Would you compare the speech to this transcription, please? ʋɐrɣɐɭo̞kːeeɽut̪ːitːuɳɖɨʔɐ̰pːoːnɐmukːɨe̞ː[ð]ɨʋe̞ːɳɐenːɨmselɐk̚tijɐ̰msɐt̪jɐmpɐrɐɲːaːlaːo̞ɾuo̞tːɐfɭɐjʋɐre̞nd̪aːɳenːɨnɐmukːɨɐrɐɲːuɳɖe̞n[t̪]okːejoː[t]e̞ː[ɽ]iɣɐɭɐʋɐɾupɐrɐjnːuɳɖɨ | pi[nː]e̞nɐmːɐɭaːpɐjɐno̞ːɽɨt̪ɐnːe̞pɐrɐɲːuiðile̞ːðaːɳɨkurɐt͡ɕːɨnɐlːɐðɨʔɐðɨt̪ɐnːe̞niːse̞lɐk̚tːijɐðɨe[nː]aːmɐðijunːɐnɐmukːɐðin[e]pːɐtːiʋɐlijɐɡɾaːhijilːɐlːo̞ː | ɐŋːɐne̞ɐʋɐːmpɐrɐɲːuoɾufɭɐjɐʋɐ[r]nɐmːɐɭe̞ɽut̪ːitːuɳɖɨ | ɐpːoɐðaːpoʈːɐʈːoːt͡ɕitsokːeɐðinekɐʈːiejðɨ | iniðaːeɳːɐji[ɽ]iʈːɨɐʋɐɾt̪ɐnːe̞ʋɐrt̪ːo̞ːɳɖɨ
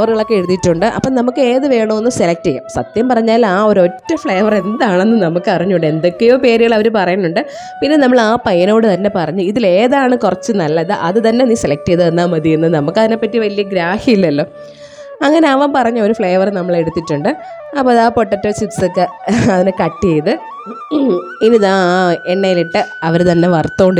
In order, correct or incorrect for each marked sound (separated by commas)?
correct, incorrect, incorrect, incorrect, correct, correct, correct, correct, incorrect